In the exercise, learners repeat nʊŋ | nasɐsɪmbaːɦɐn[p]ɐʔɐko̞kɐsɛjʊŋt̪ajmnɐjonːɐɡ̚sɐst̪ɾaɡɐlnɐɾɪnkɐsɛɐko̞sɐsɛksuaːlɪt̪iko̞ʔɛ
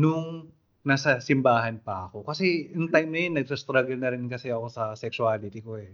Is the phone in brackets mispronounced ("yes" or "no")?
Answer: no